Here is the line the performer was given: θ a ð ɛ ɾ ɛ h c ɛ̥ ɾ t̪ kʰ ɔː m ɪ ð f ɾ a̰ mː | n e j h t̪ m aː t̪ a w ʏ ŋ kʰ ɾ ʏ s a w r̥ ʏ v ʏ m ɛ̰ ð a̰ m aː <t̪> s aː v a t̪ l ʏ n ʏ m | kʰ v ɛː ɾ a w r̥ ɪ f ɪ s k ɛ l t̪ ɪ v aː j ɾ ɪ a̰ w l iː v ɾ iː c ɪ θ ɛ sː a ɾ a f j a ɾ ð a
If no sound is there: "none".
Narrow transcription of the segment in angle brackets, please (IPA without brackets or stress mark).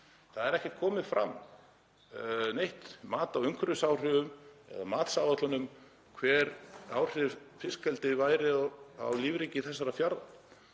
t̪